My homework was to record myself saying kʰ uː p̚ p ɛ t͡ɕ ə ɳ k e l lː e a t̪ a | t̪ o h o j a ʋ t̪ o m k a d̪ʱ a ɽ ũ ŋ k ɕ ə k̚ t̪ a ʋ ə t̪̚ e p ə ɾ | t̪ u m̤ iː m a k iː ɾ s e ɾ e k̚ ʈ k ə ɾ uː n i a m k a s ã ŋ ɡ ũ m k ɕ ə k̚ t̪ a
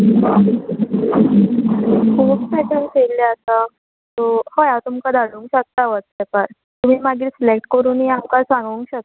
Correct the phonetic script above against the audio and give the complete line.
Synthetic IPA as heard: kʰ uː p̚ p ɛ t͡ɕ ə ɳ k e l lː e a t̪ a | t̪ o h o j a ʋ t̪ u m k a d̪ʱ a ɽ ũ ŋ k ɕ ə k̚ t̪ a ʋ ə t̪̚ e p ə ɾ | t̪ u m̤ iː m a ɡ iː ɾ s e l e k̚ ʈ k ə ɾ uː n i a m k a s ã ŋ ɡ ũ ŋ k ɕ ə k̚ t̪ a